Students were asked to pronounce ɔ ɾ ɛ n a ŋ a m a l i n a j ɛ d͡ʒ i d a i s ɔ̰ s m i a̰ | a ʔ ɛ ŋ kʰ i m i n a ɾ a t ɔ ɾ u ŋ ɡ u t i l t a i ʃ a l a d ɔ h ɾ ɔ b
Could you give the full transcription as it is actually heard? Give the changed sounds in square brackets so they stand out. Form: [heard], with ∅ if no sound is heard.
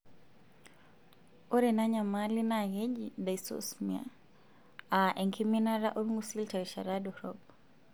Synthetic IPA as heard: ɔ ɾ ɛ n a [ɲ] a m a l i n a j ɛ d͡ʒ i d a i s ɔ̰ s m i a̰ | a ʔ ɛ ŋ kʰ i m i n a ɾ a [ʔ] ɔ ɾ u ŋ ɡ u [s] i l t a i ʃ a [ɾ] a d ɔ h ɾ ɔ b